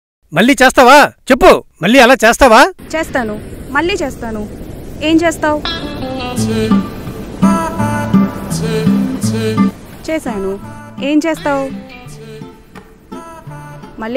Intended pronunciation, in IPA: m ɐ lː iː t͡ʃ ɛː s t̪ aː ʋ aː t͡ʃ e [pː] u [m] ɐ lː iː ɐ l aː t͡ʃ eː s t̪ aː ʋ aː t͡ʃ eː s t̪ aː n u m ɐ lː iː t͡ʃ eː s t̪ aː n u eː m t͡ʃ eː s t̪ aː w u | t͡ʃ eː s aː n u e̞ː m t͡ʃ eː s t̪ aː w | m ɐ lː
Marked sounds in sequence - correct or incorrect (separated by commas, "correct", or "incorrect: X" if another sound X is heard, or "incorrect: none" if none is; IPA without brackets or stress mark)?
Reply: correct, correct